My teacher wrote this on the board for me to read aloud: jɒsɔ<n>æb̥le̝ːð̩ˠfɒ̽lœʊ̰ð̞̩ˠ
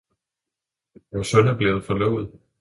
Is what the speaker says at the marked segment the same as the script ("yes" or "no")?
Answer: yes